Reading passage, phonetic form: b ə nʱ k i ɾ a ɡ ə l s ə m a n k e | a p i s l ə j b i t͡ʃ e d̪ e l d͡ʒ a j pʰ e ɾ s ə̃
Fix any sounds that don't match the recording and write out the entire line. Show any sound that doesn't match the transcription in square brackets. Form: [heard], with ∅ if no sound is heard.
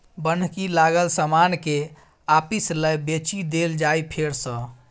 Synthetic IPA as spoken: b ə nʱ k i [l] a ɡ ə l s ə m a n k e | a p i s l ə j b [e] t͡ʃ [i] d̪ e l d͡ʒ a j pʰ e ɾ s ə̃